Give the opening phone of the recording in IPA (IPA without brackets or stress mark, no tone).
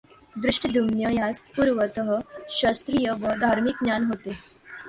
d̪